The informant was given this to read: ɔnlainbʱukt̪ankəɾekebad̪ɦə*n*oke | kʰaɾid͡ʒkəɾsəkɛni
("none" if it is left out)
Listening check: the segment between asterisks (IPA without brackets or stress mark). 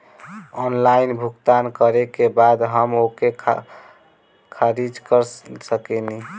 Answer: m